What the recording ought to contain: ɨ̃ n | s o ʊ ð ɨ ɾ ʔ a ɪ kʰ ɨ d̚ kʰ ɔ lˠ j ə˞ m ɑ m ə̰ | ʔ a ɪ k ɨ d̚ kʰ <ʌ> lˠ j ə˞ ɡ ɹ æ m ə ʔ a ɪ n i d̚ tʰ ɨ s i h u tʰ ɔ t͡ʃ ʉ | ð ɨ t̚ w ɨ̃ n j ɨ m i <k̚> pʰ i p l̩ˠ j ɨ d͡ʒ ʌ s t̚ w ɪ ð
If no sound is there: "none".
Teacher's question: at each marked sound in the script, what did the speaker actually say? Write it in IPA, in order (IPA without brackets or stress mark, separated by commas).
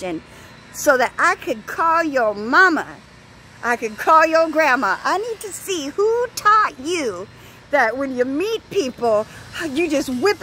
ɔ, t̚